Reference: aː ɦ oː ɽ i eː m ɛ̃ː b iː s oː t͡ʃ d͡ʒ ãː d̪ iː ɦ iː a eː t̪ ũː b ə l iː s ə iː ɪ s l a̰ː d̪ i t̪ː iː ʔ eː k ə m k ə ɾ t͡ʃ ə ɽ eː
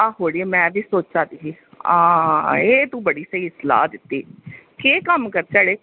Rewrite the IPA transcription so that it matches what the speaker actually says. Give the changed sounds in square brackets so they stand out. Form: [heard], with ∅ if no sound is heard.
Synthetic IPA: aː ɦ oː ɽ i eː m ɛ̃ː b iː s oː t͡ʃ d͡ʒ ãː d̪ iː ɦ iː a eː t̪ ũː b ə [ɽ] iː s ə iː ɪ s l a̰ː d̪ [ɪ] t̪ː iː [k] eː k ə m k ə ɾ t͡ʃ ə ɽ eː